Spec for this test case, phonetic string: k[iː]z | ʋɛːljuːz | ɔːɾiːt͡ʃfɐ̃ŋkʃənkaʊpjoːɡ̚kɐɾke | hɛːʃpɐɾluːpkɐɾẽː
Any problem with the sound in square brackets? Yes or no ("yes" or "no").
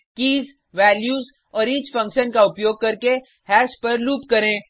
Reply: no